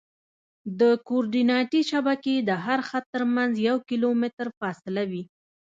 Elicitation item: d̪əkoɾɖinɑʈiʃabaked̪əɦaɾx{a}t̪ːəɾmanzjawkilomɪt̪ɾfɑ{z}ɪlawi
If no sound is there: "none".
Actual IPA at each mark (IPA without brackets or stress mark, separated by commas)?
a, s